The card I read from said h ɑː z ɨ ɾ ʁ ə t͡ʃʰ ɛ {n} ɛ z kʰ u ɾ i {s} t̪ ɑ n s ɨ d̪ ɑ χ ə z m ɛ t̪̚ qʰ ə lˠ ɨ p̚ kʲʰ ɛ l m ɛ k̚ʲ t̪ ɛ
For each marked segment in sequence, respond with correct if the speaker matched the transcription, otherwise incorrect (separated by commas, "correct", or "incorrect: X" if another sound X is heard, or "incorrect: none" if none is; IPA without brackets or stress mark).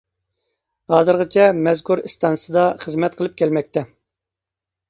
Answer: incorrect: m, correct